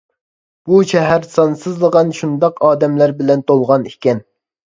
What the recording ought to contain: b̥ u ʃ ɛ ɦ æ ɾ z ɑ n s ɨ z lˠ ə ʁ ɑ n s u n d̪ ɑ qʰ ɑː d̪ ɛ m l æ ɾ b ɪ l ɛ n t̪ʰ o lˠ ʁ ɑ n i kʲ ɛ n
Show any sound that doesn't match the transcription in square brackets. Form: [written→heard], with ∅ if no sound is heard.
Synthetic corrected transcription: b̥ u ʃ ɛ ɦ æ ɾ [z→s] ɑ n s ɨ z lˠ ə ʁ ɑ n [s→ʃ] u n d̪ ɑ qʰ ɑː d̪ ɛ m l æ ɾ b ɪ l ɛ n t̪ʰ o lˠ ʁ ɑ n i kʲ ɛ n